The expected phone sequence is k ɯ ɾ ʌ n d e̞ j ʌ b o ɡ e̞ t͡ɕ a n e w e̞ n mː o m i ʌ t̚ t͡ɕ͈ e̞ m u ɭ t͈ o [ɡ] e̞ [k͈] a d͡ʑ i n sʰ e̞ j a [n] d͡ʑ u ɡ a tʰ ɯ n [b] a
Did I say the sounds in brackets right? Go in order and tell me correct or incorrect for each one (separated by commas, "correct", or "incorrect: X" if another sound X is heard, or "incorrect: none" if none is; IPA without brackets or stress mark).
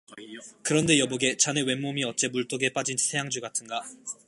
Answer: correct, incorrect: p͈, incorrect: ŋ, incorrect: ɡ